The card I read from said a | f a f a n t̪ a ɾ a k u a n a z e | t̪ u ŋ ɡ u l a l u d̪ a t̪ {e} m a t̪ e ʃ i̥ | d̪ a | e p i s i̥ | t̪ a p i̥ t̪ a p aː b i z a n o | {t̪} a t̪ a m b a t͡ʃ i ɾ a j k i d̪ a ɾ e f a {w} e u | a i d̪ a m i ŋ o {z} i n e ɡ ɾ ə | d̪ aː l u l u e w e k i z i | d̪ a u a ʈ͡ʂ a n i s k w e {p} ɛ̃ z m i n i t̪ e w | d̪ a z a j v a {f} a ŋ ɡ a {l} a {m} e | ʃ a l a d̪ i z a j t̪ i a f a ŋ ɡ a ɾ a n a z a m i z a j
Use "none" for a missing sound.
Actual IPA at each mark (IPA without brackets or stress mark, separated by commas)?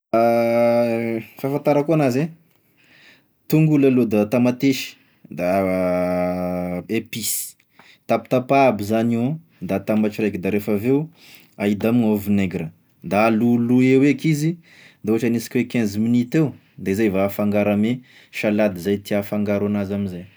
a, d̪, v, v, k, f, ɾ, m